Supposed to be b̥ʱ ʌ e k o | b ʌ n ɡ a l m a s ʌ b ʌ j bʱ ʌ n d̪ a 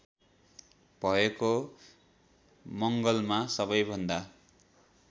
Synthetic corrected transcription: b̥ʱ ʌ e k o | m ʌ ŋ ɡ ʌ l m a s ʌ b ʌ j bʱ ʌ n d̪ a